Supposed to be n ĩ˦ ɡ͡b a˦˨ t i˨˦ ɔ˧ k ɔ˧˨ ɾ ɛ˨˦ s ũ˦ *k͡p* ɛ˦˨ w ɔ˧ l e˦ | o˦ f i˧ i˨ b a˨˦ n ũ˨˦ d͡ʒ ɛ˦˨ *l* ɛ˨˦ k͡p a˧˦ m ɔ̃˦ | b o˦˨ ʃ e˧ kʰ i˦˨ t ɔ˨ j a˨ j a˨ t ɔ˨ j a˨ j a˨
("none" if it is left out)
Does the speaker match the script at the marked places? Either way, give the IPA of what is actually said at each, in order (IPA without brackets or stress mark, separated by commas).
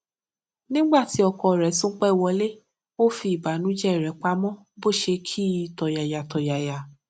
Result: k͡p, ɾ